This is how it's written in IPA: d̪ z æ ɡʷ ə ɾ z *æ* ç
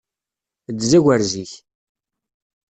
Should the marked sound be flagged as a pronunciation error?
yes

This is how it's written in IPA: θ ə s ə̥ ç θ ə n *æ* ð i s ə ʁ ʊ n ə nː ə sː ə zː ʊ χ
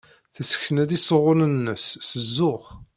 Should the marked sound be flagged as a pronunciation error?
no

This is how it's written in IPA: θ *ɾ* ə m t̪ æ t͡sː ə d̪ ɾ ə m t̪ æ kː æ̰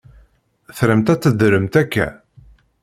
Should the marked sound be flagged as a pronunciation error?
no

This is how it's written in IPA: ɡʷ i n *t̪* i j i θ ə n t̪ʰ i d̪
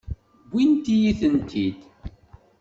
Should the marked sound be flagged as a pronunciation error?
no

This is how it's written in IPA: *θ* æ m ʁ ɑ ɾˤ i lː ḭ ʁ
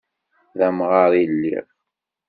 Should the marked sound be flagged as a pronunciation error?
yes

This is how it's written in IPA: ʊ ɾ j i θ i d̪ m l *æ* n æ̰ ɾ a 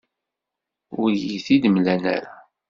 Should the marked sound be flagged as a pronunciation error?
no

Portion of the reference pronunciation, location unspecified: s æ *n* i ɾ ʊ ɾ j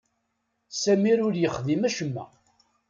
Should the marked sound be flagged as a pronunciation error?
yes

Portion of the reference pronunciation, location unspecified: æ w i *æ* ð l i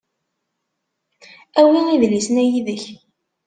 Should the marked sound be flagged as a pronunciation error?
yes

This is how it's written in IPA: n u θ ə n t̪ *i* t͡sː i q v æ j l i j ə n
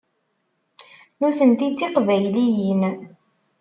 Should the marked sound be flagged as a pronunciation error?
no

